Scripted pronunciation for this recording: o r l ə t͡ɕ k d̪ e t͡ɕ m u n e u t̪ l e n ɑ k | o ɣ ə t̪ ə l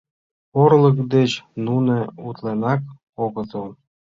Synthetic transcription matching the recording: o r l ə k d̪ e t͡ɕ n u n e u t̪ l e n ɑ k | o ɣ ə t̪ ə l